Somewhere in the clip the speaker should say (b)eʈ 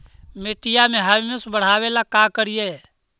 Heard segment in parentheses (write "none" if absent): m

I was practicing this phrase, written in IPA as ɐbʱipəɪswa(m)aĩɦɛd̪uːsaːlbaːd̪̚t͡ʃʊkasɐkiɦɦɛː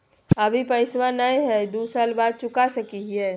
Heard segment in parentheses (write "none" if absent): n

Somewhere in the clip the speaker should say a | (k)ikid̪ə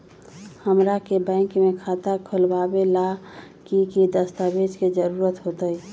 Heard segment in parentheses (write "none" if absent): k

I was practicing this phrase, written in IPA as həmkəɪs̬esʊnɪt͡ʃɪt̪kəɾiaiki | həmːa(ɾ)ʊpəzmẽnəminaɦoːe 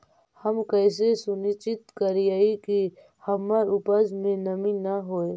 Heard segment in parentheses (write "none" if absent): ɾ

